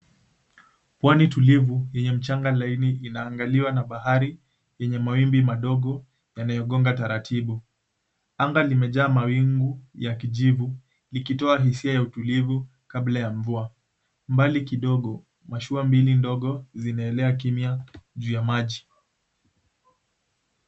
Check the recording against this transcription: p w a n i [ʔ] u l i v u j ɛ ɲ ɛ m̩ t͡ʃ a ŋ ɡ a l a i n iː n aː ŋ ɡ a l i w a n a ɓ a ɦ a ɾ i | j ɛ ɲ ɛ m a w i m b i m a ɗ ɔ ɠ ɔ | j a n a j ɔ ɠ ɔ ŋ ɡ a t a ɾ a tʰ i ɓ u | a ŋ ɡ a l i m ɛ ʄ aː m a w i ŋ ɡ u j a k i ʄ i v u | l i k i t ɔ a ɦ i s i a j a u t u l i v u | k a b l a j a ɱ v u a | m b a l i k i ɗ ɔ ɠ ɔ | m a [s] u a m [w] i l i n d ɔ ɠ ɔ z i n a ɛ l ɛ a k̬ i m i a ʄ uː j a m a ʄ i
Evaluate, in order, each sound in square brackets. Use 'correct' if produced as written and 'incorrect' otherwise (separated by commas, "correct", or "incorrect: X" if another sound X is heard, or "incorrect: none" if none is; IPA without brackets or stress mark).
incorrect: t, incorrect: ʃ, incorrect: b